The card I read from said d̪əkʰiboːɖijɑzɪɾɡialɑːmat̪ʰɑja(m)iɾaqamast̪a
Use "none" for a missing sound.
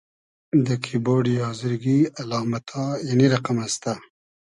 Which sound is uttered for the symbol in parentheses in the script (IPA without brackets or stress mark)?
n